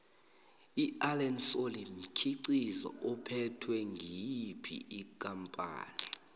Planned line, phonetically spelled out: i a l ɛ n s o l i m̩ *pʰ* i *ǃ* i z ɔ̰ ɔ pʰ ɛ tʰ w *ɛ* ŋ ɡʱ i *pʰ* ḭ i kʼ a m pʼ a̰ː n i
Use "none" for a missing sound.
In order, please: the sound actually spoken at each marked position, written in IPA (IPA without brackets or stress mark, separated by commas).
kʰ, ǀ, ɛ, pʰ